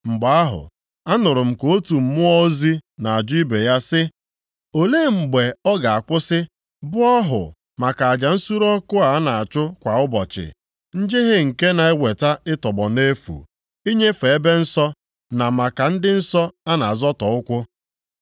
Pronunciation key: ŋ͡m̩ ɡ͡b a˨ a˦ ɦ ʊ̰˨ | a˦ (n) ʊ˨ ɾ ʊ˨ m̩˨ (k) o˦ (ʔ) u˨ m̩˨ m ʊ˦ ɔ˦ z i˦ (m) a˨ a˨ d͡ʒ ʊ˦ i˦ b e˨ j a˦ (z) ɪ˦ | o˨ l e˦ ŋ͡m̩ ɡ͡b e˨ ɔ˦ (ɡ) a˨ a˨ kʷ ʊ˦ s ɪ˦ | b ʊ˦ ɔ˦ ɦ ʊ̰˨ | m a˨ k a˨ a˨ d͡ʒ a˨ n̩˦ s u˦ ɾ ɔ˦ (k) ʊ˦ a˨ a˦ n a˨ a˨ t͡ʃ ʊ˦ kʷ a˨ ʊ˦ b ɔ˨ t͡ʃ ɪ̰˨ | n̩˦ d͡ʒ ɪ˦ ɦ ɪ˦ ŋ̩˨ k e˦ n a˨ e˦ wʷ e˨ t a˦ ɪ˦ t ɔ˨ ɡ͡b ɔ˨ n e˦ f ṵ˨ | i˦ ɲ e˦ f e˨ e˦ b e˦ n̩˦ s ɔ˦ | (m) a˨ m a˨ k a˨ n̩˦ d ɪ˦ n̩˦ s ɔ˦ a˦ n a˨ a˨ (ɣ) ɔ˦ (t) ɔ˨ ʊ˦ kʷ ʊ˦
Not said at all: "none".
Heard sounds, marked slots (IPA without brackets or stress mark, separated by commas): n, k, t, n, s, ɡ, k, n, z, t